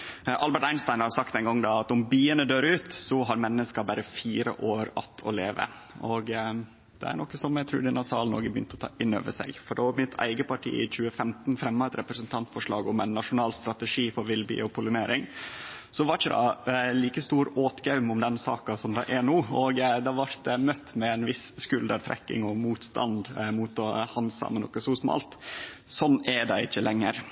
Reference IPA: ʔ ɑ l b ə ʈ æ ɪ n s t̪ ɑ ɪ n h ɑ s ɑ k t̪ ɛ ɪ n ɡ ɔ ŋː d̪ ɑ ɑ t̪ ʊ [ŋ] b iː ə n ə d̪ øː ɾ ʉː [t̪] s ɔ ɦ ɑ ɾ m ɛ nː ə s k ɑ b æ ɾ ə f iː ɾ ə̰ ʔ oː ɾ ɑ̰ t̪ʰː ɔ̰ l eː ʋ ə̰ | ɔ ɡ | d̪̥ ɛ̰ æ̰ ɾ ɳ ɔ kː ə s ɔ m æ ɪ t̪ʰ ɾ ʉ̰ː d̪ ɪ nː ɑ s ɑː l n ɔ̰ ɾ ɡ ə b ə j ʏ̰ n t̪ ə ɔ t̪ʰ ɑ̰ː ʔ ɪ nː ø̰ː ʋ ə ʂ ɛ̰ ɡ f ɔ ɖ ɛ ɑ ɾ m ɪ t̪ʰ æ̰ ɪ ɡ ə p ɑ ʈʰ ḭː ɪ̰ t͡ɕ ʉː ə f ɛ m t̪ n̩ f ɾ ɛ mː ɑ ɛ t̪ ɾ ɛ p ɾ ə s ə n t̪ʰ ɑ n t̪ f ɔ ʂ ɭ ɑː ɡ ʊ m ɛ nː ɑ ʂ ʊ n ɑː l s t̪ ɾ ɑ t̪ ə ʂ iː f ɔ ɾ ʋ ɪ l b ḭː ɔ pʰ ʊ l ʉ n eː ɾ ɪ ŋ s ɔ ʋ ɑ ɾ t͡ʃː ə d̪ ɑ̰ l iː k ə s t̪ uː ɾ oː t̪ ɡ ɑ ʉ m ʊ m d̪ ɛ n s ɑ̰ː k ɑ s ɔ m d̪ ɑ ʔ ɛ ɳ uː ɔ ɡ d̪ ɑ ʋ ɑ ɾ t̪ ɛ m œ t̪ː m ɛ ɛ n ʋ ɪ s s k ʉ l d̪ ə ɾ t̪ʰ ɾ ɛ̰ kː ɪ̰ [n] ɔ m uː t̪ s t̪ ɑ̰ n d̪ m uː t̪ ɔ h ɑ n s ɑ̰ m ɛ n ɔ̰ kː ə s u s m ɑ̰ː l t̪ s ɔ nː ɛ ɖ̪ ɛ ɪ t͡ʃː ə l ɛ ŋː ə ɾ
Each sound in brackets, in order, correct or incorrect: incorrect: m, correct, incorrect: ŋ

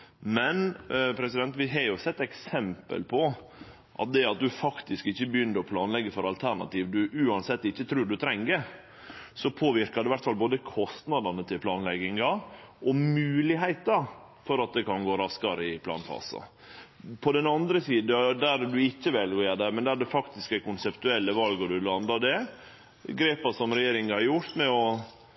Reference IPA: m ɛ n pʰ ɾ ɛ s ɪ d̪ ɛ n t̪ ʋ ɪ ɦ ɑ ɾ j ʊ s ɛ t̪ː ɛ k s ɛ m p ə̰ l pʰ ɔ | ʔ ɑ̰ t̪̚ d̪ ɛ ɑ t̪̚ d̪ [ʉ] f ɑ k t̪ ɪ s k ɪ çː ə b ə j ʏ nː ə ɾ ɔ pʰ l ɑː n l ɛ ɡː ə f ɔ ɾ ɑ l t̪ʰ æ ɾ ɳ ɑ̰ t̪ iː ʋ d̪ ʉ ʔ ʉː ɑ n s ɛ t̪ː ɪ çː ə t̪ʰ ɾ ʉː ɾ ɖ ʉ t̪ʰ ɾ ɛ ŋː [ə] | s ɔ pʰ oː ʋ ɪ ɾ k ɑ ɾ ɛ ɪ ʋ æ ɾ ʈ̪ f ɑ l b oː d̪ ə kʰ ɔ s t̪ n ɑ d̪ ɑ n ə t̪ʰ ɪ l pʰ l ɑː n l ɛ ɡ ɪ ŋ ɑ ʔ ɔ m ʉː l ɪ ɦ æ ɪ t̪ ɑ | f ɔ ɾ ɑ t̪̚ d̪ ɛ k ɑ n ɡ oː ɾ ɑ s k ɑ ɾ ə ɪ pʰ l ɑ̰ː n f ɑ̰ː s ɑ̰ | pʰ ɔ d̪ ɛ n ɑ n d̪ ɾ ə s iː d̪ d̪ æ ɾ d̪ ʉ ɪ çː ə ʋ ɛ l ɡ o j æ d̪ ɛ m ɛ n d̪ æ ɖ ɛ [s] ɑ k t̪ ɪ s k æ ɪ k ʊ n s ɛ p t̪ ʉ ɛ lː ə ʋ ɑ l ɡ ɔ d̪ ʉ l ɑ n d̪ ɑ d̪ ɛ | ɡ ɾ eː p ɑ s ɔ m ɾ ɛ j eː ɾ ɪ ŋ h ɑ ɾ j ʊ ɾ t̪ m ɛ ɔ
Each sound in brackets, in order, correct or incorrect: correct, correct, incorrect: f

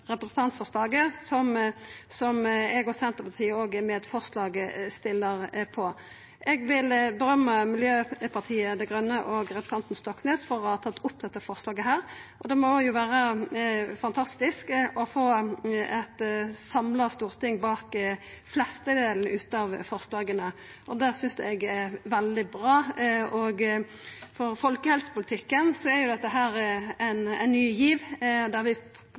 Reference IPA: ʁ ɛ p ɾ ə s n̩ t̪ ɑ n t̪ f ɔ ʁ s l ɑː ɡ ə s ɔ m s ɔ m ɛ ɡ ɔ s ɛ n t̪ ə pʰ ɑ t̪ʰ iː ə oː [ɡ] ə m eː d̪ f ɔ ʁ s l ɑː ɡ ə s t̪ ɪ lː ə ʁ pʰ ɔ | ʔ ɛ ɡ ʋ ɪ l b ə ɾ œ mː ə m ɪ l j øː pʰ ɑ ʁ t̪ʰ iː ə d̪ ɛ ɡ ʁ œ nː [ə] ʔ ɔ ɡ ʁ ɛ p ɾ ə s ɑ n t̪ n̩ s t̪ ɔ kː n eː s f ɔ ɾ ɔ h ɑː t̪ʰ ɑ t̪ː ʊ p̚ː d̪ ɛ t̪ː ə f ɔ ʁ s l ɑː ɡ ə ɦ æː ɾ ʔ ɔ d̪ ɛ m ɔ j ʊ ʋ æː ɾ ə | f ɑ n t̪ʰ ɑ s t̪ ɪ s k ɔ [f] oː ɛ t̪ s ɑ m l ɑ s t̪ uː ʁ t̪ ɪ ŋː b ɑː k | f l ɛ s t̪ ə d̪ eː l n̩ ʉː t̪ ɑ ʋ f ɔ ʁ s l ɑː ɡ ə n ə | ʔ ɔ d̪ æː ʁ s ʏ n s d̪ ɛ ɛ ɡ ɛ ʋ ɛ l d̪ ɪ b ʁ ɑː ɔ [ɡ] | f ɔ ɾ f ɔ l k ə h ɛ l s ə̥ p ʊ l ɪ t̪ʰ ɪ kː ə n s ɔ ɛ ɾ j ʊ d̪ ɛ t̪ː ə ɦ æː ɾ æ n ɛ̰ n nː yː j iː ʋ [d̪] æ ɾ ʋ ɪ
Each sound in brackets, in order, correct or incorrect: correct, correct, correct, correct, correct

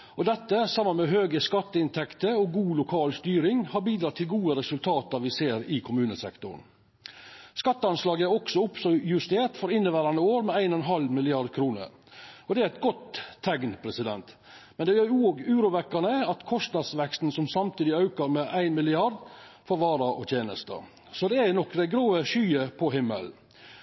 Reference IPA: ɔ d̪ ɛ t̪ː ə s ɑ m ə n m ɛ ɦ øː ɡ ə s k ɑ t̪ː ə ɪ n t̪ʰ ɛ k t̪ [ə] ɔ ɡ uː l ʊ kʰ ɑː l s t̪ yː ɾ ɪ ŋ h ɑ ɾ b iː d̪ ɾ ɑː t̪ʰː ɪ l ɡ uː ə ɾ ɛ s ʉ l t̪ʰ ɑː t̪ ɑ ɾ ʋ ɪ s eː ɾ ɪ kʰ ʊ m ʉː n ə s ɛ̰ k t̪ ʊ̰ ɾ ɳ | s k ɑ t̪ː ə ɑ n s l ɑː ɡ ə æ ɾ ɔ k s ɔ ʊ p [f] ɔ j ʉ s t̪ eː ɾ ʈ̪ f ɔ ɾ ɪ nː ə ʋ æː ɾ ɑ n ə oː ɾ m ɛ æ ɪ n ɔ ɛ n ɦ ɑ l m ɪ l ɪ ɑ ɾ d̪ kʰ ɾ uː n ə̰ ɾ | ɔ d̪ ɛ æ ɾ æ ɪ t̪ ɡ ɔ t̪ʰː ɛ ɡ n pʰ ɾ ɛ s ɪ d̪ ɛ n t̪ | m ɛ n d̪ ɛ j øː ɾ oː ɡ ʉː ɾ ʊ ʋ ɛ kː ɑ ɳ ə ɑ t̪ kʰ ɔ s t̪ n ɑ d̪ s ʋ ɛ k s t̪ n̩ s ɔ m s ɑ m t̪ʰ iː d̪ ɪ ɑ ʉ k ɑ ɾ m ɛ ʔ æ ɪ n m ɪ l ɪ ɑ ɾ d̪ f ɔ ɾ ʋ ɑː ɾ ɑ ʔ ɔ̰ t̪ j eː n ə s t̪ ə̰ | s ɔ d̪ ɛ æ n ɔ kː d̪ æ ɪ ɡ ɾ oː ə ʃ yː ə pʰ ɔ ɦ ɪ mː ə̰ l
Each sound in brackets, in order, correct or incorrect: correct, incorrect: s

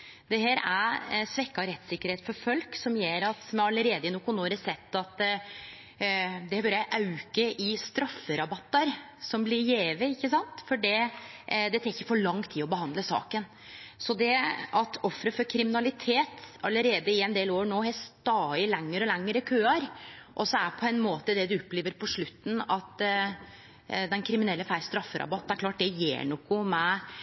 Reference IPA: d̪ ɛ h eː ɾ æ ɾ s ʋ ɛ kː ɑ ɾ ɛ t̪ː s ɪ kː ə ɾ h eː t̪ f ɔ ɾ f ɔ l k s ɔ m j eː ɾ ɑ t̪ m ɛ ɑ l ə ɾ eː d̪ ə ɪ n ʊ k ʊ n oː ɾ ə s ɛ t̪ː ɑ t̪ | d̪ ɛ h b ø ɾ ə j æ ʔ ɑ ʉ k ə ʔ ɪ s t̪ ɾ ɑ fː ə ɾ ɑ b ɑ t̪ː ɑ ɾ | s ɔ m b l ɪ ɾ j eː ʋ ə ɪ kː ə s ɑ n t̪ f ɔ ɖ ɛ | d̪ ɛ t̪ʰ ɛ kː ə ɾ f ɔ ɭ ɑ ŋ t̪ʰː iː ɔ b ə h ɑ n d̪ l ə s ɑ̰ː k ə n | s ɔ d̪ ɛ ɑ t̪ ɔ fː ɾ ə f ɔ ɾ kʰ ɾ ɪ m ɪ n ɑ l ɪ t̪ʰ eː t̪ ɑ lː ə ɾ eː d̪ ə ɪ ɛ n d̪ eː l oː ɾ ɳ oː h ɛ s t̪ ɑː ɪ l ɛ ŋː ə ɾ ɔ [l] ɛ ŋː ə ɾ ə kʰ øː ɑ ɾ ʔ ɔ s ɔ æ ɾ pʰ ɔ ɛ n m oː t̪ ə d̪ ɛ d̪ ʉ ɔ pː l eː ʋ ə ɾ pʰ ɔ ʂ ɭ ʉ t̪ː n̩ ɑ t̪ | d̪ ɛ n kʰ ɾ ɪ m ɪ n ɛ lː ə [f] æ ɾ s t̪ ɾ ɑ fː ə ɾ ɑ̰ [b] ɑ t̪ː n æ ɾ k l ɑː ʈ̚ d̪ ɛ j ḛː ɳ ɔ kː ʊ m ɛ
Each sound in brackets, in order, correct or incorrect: correct, correct, correct

